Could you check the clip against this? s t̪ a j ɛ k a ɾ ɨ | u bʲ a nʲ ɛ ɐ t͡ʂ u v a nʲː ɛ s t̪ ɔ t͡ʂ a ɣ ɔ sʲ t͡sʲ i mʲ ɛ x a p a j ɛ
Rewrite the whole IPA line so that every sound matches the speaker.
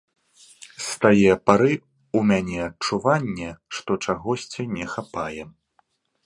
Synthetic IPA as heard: s t̪ a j ɛ p a ɾ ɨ | u mʲ a nʲ ɛ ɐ t͡ʂ u v a nʲː ɛ ʂ t̪ ɔ t͡ʂ a ɣ ɔ sʲ t͡sʲ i nʲ ɛ x a p a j ɛ